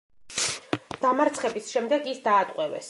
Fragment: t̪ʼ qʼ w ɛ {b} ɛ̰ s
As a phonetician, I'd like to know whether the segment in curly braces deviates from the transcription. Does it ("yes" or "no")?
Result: yes